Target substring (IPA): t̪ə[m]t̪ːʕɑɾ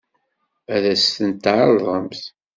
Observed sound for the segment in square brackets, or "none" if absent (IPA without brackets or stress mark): n